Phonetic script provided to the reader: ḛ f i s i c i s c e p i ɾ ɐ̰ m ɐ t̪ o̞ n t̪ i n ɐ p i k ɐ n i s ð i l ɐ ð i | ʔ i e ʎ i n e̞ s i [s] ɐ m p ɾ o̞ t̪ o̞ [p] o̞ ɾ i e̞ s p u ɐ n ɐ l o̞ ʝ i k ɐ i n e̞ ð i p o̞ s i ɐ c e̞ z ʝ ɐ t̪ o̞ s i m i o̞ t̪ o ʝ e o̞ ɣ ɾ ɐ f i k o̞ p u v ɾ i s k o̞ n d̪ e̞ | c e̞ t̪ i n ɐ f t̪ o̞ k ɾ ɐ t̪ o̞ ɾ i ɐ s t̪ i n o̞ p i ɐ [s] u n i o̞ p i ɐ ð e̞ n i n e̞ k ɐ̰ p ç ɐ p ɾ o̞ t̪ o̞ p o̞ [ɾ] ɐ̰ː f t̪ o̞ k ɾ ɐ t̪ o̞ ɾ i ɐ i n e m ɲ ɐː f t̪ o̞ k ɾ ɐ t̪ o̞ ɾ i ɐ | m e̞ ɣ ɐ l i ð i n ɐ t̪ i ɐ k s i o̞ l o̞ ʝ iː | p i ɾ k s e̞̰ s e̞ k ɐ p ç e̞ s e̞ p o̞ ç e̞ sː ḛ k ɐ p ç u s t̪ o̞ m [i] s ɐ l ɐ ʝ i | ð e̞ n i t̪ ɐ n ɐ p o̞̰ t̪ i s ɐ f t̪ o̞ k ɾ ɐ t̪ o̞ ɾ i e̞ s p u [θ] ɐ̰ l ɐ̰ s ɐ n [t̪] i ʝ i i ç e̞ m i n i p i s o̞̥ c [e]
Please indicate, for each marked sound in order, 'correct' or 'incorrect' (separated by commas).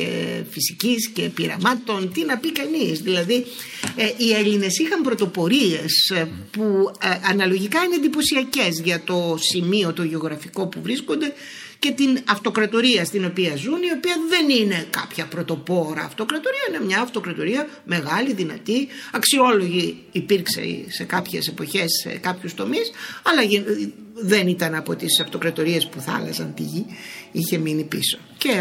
incorrect, correct, incorrect, correct, correct, correct, correct, correct